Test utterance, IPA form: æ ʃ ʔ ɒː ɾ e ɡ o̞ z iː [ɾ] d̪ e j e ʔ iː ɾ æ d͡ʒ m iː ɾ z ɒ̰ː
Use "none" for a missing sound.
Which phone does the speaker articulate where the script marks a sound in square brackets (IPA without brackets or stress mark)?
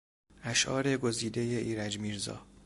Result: none